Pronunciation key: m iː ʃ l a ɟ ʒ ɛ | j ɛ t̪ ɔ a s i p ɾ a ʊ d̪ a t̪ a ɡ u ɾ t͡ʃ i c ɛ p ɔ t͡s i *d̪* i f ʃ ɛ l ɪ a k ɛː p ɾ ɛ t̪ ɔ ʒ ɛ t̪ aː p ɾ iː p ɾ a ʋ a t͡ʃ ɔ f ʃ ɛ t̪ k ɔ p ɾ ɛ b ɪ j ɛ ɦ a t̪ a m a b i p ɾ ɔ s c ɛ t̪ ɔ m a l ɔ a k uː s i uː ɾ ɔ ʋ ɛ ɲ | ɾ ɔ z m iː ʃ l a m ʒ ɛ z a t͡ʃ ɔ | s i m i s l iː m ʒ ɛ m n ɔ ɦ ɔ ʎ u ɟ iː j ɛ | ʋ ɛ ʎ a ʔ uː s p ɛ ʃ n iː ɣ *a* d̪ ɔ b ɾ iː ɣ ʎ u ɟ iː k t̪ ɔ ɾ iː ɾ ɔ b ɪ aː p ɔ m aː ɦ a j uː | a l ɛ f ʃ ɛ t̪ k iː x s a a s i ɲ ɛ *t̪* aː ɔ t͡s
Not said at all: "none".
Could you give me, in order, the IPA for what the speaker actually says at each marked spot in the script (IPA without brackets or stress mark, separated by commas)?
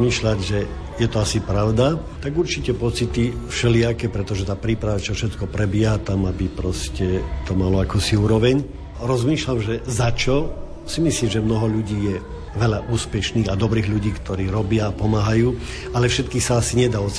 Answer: t̪, a, d̪